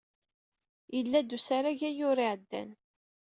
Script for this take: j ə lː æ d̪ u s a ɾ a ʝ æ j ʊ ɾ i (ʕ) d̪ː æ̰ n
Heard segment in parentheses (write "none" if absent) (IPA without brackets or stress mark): ʕ